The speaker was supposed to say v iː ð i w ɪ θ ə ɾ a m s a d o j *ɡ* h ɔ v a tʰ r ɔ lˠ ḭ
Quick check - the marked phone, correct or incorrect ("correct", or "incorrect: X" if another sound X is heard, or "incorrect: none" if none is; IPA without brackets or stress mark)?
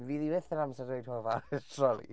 incorrect: d